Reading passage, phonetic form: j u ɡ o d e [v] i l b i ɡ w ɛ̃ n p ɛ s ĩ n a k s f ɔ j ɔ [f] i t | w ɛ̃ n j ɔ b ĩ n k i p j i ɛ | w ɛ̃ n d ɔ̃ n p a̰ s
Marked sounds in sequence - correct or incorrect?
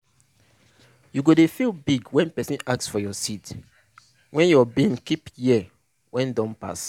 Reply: incorrect: f, incorrect: s

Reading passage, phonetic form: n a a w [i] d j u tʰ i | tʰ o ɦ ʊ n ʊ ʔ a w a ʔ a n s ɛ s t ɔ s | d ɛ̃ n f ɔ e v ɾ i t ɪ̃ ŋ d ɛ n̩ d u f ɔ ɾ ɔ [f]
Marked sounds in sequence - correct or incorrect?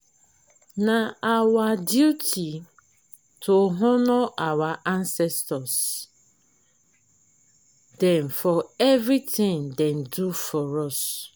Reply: incorrect: a, incorrect: s

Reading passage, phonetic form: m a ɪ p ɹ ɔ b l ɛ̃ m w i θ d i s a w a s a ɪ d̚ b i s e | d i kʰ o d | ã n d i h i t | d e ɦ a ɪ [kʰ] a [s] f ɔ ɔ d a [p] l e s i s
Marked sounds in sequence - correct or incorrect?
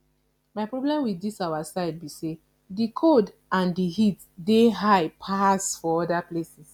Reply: incorrect: pʰ, correct, correct

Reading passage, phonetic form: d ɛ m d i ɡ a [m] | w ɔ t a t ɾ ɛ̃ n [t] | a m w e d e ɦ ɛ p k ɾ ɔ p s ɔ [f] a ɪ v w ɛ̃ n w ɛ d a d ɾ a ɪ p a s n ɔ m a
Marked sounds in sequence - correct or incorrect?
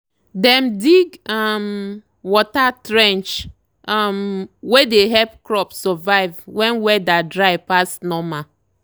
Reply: correct, incorrect: t͡ʃ, incorrect: v

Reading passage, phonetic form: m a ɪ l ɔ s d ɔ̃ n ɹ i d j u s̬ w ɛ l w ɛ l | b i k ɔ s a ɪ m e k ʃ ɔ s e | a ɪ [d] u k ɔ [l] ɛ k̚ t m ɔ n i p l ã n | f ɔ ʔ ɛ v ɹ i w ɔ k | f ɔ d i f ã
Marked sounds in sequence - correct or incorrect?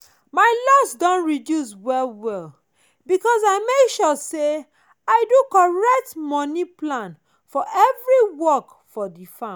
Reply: correct, incorrect: ɹ

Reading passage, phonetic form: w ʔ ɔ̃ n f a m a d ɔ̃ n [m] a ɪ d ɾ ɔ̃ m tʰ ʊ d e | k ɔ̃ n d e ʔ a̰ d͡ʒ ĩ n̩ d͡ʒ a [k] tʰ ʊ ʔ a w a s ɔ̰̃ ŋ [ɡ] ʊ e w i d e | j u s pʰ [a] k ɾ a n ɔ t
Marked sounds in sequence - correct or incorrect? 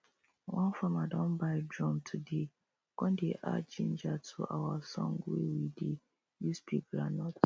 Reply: incorrect: b, incorrect: none, correct, incorrect: i

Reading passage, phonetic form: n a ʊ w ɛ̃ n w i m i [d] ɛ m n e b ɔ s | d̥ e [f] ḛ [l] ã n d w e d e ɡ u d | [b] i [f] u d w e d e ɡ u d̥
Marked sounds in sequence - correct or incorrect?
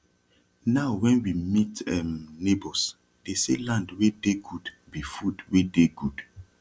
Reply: incorrect: t, incorrect: s, correct, correct, correct

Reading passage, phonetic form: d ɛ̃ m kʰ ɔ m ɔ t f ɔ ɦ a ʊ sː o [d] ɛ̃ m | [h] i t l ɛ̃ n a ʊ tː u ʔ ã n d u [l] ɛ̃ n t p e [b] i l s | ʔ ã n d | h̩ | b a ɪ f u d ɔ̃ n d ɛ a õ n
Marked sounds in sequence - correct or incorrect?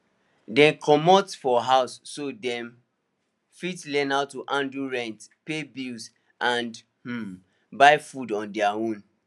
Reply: correct, incorrect: f, incorrect: ɹ, correct

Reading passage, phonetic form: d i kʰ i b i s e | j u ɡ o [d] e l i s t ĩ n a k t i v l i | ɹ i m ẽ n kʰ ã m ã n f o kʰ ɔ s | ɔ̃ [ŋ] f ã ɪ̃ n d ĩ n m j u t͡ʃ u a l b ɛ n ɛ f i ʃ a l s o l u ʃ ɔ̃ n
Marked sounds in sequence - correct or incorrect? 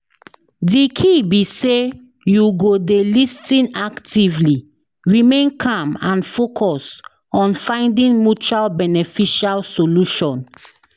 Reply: correct, incorrect: n

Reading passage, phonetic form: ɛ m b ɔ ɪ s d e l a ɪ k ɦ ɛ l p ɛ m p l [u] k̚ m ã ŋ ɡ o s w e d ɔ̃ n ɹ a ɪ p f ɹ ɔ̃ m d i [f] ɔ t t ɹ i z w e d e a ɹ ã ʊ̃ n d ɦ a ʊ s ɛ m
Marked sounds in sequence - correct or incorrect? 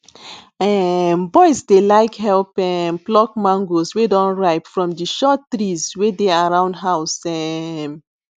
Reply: incorrect: ɔ, incorrect: ʃ

